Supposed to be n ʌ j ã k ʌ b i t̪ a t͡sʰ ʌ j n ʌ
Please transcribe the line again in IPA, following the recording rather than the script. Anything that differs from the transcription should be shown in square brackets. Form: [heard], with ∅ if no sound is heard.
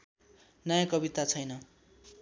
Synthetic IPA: n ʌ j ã k ʌ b i t̪ a t͡sʰ ʌ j n ʌ